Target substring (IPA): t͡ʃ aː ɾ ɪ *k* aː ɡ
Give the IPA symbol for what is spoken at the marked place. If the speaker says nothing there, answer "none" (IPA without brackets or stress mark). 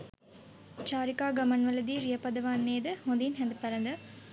k